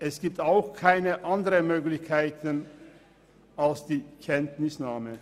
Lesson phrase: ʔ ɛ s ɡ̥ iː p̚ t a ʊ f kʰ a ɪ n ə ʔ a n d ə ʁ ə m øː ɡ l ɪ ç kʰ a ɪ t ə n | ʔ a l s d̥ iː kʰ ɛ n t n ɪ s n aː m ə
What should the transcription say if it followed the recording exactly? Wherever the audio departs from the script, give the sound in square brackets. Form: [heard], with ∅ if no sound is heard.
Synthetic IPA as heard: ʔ ɛ s ɡ̥ iː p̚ t a ʊ [x] kʰ a ɪ n ə ʔ a n d ə ʁ ə m øː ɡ l ɪ ç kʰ a ɪ t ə n | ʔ a l s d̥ iː kʰ ɛ n t n ɪ s n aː m ə